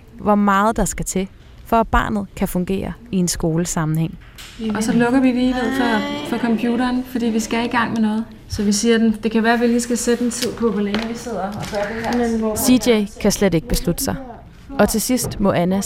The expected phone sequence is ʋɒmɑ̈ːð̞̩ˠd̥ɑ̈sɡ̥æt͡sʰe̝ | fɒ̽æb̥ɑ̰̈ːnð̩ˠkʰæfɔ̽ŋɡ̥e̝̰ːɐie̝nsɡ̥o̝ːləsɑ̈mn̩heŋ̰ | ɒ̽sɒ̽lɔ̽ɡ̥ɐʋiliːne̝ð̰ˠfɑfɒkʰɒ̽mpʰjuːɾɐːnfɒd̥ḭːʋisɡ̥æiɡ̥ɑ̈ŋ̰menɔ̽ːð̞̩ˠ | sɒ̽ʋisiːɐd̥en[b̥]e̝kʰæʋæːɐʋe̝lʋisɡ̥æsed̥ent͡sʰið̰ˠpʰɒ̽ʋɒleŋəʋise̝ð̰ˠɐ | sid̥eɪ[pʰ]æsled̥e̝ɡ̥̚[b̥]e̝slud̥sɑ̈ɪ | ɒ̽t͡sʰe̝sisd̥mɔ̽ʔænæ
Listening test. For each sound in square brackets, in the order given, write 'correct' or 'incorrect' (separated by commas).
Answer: incorrect, incorrect, correct